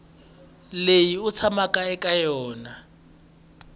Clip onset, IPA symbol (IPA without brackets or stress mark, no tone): l